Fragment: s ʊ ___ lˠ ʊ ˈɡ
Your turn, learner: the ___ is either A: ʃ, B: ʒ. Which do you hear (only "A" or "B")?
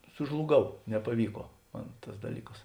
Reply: B